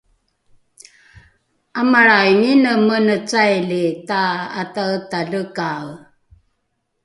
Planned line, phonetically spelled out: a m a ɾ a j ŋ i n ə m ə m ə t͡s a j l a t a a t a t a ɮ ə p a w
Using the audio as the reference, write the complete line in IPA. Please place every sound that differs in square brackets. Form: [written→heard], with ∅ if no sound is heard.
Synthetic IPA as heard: a m a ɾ a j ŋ i n ə m ə [m→n] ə t͡s a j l [a→i] t a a t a t a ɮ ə [p→k] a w

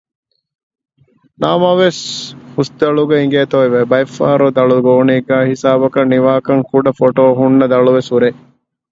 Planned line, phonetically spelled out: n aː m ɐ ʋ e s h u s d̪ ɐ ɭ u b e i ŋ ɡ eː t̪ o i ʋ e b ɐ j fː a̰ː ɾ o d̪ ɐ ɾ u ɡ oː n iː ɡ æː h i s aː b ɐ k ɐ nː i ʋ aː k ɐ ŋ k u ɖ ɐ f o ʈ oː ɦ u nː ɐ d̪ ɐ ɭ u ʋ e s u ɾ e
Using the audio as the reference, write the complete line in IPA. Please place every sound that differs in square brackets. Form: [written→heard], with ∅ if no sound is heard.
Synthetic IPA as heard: n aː m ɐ ʋ e s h u s d̪ ɐ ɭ u [b→ɡ] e i ŋ ɡ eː t̪ o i ʋ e b ɐ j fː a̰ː ɾ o d̪ ɐ [ɾ→ɭ] u ɡ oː n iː ɡ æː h i s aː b ɐ k ɐ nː i ʋ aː k ɐ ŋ k u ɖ ɐ f o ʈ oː ɦ u nː ɐ d̪ ɐ ɭ u ʋ e s u ɾ e

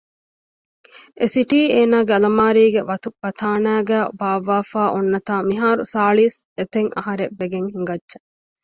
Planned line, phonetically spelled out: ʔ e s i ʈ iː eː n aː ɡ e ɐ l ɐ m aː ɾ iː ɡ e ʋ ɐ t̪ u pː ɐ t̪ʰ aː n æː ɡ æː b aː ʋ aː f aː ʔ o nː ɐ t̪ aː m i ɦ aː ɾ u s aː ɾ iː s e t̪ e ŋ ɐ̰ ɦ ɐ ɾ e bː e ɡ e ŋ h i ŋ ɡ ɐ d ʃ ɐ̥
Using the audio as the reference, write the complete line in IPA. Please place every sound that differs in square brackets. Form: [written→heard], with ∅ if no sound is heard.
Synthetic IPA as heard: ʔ e s i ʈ iː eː n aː ɡ e ɐ l ɐ m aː ɾ iː ɡ e ʋ ɐ t̪ u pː ɐ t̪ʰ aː n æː ɡ æː b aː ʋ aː f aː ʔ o nː ɐ t̪ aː m i ɦ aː ɾ u s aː [ɾ→ɭ] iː s e t̪ e ŋ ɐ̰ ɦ ɐ ɾ e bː e ɡ e ŋ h i ŋ ɡ ɐ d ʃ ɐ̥

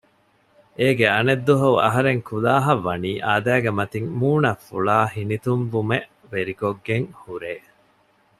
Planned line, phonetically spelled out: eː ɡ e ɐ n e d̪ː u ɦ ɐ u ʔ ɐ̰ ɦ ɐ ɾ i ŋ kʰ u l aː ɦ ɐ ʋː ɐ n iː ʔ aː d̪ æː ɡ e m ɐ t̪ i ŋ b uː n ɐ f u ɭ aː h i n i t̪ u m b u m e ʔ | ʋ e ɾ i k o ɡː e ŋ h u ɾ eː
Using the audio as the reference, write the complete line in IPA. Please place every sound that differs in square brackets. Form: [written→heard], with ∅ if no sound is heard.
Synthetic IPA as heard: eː ɡ e ɐ n e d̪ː u ɦ ɐ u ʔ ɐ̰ ɦ ɐ ɾ [i→e] ŋ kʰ u l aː ɦ ɐ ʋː ɐ n iː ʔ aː d̪ æː ɡ e m ɐ t̪ i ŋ [b→m] uː n ɐ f u ɭ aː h i n i t̪ u m b u m e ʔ | ʋ e ɾ i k o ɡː e ŋ h u ɾ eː

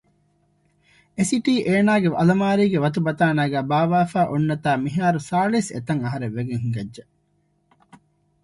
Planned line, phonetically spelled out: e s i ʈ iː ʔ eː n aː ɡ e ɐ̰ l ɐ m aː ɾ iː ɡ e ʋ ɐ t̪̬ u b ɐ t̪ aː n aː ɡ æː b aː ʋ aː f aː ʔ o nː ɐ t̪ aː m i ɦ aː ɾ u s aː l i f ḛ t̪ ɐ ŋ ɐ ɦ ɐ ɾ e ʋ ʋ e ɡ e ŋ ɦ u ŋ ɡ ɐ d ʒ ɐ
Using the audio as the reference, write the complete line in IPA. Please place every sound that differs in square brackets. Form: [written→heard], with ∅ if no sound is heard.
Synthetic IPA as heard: e s i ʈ iː ʔ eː n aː ɡ e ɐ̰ l ɐ m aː ɾ iː ɡ e ʋ ɐ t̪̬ u b ɐ t̪ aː n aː ɡ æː b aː ʋ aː f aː ʔ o nː ɐ t̪ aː m i ɦ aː ɾ u s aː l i [f→s] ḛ t̪ ɐ ŋ ɐ ɦ ɐ ɾ e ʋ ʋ e ɡ e ŋ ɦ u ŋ ɡ ɐ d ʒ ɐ

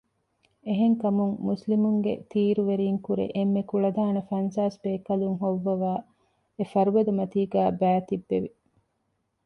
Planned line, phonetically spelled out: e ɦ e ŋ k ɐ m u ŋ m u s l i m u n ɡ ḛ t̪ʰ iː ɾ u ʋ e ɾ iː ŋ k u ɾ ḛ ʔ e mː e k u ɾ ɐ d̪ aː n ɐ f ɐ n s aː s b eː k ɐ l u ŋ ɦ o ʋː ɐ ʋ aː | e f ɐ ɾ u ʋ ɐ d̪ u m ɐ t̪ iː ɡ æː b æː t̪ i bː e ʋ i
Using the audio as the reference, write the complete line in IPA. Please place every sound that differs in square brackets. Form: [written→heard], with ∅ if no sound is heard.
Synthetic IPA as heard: e ɦ e ŋ k ɐ m u ŋ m u s l i m u [n→ŋ] ɡ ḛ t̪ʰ iː ɾ u ʋ e ɾ iː ŋ k u ɾ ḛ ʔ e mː e k u [ɾ→ɭ] ɐ d̪ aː n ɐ f ɐ n s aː s b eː k ɐ l u ŋ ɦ o ʋː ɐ ʋ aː | e f ɐ ɾ u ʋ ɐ d̪ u m ɐ t̪ iː ɡ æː b æː t̪ i bː e ʋ i

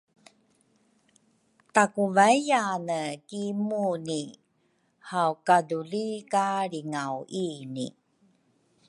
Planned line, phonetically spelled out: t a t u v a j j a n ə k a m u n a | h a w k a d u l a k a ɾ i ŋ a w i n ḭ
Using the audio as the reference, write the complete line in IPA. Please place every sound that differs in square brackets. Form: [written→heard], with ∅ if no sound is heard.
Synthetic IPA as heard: t a [t→k] u v a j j a n ə k [a→i] m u n [a→i] | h a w k a d u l [a→i] k a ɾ i ŋ a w i n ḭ

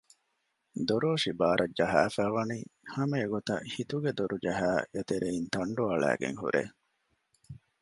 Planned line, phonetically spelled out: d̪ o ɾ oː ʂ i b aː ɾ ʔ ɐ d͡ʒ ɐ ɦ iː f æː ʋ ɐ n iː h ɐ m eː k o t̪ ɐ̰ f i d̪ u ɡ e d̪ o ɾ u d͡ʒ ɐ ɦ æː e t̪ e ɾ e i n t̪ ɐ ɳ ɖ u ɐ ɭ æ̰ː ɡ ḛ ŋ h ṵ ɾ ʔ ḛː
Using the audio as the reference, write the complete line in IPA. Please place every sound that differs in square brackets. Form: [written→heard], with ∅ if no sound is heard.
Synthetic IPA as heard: d̪ o ɾ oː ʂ i b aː ɾ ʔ ɐ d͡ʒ ɐ ɦ [iː→æː] f æː ʋ ɐ n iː h ɐ m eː [k→ɡ] o t̪ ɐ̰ [f→h] i [d̪→t̪] u ɡ e d̪ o ɾ u d͡ʒ ɐ ɦ æː e t̪ e ɾ e i n t̪ ɐ ɳ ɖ u ɐ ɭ æ̰ː ɡ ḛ ŋ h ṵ ɾ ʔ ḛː

